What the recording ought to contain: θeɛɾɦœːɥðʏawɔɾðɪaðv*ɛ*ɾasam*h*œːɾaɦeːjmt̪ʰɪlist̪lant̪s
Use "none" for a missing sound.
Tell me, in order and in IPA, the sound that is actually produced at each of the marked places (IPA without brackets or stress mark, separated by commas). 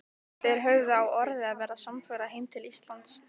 ɛː, f